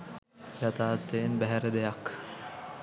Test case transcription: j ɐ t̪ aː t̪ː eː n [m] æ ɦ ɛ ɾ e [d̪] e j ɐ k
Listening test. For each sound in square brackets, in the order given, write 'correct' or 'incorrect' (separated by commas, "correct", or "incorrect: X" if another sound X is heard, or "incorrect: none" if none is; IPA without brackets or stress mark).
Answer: incorrect: b, correct